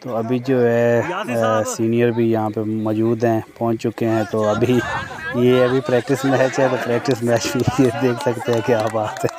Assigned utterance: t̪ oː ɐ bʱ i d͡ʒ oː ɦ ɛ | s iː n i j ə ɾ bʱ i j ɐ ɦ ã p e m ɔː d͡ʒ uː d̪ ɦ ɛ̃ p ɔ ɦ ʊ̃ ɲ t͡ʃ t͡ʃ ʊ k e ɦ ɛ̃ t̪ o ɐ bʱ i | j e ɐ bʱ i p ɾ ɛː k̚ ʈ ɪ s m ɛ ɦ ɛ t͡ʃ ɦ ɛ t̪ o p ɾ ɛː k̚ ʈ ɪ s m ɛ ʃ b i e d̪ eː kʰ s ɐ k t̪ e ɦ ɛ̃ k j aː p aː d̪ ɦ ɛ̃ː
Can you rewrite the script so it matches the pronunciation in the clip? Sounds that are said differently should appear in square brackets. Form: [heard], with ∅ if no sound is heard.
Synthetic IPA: t̪ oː ɐ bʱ i d͡ʒ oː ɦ ɛ | s iː n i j ə ɾ bʱ i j ɐ ɦ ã p e m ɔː d͡ʒ uː d̪ ɦ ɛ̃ p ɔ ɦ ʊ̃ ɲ t͡ʃ t͡ʃ ʊ k e ɦ ɛ̃ t̪ o ɐ bʱ i | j e ɐ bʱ i p ɾ ɛː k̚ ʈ ɪ s m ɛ ɦ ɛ t͡ʃ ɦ ɛ t̪ o p ɾ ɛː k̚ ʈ ɪ s m ɛ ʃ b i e d̪ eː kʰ s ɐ k t̪ e ɦ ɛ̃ k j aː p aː [t̪] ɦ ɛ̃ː